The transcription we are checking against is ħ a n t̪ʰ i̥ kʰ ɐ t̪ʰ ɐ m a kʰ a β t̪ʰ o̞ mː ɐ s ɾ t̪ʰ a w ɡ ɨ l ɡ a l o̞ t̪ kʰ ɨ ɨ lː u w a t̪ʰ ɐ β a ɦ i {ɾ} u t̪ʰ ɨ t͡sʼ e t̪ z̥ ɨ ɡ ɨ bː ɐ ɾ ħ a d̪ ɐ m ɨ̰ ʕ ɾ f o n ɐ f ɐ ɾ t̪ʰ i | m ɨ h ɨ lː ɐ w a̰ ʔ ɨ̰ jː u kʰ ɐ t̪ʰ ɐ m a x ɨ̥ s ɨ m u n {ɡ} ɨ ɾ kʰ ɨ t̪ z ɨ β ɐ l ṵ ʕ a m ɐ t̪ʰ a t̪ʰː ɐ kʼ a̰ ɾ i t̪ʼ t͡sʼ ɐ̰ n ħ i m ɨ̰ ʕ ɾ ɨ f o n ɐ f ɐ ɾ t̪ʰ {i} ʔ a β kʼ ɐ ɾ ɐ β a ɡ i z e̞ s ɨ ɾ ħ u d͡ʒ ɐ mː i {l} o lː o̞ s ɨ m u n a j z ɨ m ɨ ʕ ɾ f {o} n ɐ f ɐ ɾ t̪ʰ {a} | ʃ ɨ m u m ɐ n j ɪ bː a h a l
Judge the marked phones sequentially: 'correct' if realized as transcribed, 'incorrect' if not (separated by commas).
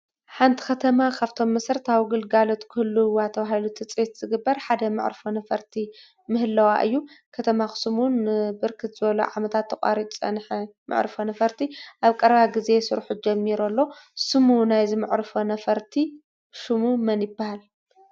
incorrect, incorrect, correct, incorrect, correct, incorrect